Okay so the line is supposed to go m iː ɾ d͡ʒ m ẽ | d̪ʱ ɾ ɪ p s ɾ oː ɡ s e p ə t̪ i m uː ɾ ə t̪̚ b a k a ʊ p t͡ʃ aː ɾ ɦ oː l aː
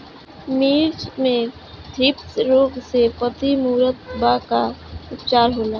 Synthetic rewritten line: m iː ɾ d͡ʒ m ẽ | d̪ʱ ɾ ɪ p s ɾ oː ɡ s e p ə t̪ i m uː ɾ ə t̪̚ b a k a ʊ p t͡ʃ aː ɾ ɦ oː l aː